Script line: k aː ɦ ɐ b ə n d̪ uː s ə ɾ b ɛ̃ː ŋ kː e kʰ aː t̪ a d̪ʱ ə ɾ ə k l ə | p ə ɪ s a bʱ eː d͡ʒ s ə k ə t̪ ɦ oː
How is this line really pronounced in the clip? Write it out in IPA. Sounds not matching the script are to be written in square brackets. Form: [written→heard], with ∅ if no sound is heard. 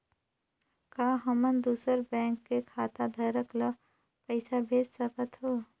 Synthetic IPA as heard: k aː ɦ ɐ [b→m] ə n d̪ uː s ə ɾ b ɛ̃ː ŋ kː e kʰ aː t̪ a d̪ʱ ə ɾ ə k l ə | p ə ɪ s a bʱ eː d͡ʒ s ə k ə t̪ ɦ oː